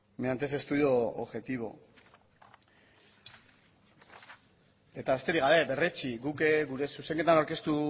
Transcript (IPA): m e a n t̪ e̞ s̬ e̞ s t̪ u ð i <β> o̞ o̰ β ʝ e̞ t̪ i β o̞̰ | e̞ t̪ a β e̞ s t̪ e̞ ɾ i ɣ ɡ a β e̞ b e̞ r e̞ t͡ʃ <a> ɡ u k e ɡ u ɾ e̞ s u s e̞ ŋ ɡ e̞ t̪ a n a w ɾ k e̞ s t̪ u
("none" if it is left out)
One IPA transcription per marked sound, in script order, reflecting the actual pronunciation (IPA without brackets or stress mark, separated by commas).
none, i